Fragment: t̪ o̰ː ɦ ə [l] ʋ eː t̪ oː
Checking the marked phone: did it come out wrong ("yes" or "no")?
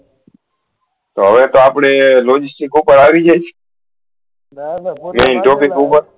yes